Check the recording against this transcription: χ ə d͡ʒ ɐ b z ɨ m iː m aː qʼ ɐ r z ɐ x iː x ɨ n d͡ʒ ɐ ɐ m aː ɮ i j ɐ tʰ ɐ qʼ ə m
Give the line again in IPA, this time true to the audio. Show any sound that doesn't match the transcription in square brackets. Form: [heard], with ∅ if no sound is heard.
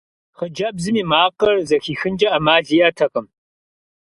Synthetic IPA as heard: χ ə d͡ʒ ɐ b z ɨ m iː m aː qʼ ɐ r z ɐ x iː x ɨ n d͡ʒ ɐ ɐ m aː ɮ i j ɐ tʰ ɐ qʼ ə m